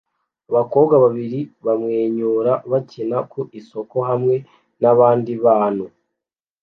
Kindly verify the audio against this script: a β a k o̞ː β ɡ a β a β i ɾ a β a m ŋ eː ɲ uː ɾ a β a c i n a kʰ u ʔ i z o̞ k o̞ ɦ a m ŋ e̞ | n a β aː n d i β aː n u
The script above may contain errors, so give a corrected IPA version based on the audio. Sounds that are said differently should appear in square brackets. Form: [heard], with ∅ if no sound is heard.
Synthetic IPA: a β a k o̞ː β ɡ a β a β i ɾ [i] β a m ŋ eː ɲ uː ɾ a β a c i n a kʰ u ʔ i [s] o̞ k o̞ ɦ a m ŋ e̞ | n a β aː n d i β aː n u